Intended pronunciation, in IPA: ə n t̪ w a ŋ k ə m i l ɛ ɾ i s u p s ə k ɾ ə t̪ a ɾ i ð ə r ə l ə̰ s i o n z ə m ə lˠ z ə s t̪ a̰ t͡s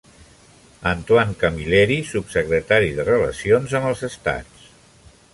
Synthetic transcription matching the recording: ə n t̪ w a ŋ k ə m i l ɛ ɾ i s u p s ə k ɾ ə t̪ a ɾ i ð ə r ə l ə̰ s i o n z ə m ə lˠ z ə s t̪ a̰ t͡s